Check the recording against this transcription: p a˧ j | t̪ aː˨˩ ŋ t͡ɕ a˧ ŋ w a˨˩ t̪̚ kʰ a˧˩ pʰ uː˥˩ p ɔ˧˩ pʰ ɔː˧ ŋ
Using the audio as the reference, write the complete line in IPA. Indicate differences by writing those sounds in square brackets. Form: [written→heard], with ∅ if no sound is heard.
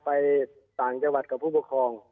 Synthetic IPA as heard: p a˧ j | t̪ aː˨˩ ŋ t͡ɕ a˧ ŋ w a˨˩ t̪̚ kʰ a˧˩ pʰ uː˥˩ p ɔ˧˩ [pʰ→kʰ] ɔː˧ ŋ